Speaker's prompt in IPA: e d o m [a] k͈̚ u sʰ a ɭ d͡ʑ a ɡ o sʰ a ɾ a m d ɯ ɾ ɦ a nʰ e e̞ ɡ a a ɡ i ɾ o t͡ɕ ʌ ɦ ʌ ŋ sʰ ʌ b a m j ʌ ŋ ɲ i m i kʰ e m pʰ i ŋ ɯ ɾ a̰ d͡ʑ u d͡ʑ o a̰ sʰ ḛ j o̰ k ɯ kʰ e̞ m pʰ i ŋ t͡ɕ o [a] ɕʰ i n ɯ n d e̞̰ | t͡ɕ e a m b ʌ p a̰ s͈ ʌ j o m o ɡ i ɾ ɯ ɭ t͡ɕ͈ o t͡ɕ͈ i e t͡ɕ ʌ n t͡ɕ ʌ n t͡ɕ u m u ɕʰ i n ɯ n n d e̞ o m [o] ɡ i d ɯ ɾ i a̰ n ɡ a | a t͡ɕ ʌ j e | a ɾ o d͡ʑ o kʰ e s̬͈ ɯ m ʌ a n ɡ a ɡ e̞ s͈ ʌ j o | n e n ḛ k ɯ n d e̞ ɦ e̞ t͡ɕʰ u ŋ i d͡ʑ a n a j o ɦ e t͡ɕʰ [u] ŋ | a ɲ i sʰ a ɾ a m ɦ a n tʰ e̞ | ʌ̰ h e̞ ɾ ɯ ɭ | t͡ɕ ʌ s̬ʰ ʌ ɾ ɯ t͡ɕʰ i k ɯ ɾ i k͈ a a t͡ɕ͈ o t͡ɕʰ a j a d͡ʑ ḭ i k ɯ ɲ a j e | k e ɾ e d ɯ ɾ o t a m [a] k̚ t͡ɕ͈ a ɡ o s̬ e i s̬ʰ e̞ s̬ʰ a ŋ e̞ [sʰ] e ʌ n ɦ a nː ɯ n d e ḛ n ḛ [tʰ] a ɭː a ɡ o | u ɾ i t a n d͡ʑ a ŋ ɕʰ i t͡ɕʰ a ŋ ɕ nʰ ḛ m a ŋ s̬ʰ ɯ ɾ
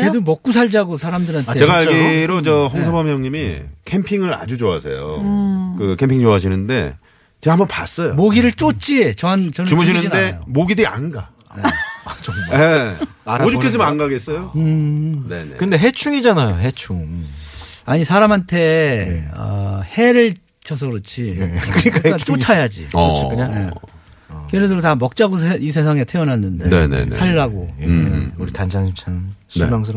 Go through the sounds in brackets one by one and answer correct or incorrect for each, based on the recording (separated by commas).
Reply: incorrect, correct, correct, correct, incorrect, incorrect, incorrect